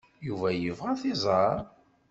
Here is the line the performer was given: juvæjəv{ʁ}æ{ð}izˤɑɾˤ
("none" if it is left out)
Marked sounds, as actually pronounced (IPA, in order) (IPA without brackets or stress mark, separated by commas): ʁ, θ